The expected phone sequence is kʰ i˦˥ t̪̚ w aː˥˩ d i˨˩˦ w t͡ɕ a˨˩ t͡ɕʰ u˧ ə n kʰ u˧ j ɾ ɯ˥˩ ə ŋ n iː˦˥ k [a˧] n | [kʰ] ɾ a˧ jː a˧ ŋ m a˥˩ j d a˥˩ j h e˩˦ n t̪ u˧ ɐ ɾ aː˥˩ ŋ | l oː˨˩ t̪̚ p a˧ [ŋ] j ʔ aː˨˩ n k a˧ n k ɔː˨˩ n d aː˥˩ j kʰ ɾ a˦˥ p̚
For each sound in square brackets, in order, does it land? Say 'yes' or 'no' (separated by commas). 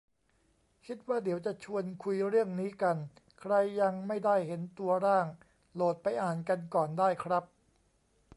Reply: yes, yes, no